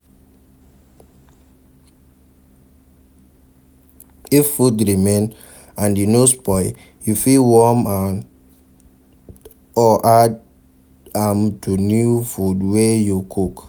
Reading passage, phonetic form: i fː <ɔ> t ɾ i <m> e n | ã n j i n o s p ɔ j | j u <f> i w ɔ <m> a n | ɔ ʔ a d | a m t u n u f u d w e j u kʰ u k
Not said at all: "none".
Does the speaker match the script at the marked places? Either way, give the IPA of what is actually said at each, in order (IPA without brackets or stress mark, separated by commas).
u, m, f, m